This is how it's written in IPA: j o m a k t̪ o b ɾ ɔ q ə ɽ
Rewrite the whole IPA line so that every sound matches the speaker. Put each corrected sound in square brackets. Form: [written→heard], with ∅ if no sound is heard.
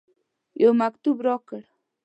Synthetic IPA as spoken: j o m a k t̪ [o→u] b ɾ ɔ [q→k] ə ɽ

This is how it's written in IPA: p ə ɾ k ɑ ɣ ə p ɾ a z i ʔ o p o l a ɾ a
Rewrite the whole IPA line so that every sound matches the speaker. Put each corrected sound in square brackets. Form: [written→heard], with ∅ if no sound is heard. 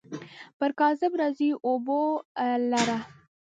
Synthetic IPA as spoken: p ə ɾ k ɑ [ɣ→z] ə [p→b] ɾ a z i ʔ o [p→b] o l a ɾ a

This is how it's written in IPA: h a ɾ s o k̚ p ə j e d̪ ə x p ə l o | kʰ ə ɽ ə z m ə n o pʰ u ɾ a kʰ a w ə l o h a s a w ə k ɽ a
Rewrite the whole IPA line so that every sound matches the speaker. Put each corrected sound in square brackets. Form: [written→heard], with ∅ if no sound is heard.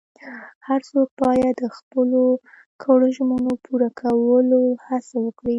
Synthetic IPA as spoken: h a ɾ s o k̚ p [ə→ɑ] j [e→a] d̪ ə x p ə l o | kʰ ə ɽ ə [z→ʒ] m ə n o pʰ u ɾ a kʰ a w ə l o h a s a w ə k ɽ [a→i]

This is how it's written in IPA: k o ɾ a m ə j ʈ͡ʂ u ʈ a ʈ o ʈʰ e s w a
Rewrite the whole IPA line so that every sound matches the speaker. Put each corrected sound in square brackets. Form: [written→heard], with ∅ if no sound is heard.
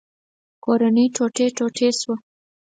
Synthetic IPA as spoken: k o ɾ a [m→n] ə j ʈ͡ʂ [u→o] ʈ [a→e] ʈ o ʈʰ e s w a

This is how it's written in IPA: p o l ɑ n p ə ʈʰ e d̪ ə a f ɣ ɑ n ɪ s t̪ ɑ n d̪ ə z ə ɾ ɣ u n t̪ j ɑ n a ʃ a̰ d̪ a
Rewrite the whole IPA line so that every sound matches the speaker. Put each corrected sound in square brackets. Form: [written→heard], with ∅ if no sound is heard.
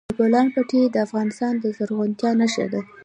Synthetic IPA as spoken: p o l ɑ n p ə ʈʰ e d̪ ə a f ɣ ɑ n ɪ s t̪ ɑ n d̪ ə z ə ɾ ɣ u n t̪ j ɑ n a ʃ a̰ d̪ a

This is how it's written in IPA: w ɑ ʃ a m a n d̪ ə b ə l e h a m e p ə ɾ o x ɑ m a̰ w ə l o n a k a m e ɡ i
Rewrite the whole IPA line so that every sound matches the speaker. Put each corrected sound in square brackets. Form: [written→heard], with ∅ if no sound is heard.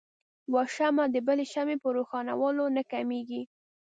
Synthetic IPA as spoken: w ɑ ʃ a m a [n→∅] d̪ ə b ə l e [h→ʃ] a m e p ə ɾ o x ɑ [m→n] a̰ w [ə→ɑ] l o n a k a m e ɡ i

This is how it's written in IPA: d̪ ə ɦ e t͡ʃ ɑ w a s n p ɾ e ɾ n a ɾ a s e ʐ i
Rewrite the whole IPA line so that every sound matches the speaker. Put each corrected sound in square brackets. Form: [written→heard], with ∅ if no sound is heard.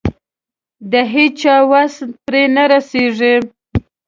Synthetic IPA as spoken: d̪ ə ɦ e t͡ʃ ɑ w a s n p ɾ e [ɾ→∅] n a ɾ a s e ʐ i

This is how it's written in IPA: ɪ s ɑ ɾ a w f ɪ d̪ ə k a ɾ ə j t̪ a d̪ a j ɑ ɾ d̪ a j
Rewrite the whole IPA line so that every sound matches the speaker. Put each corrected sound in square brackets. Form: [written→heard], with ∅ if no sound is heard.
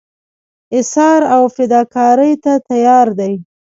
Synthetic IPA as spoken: ɪ s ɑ ɾ a w f ɪ d̪ [ə→ɑ] k [a→ɑ] ɾ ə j t̪ a [d̪→t̪] a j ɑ ɾ d̪ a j

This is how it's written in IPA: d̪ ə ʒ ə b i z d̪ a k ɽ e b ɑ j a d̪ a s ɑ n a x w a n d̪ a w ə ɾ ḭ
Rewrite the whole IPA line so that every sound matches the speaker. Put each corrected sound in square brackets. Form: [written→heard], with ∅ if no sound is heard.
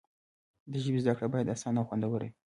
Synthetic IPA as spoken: d̪ ə ʒ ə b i z d̪ a k ɽ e b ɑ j a d̪ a s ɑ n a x w a n d̪ a w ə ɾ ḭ

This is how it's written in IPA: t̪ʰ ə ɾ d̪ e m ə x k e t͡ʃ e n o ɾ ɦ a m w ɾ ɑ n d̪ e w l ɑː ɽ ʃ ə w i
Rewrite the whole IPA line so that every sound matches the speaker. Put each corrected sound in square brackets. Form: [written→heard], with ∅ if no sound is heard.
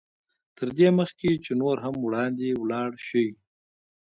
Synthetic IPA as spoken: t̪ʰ ə ɾ d̪ e m ə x k e t͡ʃ e n o ɾ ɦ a m w [ɾ→ɽ] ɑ n d̪ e w l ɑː ɽ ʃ ə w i

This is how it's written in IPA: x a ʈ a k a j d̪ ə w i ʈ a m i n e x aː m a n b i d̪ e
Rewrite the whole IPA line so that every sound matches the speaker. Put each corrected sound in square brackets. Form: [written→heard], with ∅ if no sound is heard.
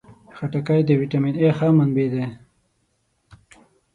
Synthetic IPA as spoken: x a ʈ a k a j d̪ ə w i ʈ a m i n e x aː m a n b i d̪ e

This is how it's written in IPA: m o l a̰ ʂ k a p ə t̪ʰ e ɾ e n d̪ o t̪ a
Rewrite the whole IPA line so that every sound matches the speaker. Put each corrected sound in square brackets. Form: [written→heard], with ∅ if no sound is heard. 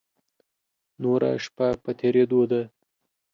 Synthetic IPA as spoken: [m→n] o [l→ɾ] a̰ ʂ [k→p] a p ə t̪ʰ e ɾ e [n→∅] d̪ o [t̪→d̪] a

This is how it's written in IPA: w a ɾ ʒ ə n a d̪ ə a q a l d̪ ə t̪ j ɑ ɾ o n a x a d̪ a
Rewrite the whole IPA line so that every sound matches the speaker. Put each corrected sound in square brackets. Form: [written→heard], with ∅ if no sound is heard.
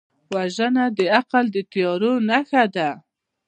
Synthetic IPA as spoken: w a [ɾ→∅] ʒ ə n a d̪ ə a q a l d̪ ə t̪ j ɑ ɾ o n a x a d̪ a

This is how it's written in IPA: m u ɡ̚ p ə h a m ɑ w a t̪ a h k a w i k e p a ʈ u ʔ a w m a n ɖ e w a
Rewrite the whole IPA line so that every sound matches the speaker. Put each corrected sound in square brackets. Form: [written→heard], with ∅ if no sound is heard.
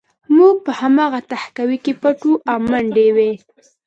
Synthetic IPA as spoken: m u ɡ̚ p ə h a m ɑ [w→ɣ] a t̪ a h k a w i k e p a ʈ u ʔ a w m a [n→ɳ] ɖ e w [a→e]

